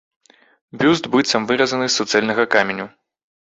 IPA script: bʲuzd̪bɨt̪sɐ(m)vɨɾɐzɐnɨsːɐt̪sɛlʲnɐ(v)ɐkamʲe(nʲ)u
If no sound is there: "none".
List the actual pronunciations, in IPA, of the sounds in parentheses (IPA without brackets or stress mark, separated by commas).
m, ɣ, nʲ